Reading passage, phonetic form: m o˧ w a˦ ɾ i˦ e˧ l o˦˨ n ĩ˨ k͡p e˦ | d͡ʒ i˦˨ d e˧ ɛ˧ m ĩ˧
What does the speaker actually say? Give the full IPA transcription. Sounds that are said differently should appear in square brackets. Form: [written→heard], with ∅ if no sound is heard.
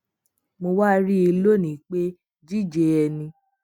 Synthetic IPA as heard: m o˧ w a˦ ɾ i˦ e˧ l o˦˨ n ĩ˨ k͡p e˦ | d͡ʒ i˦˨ [d→d͡ʒ] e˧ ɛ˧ [m→n] ĩ˧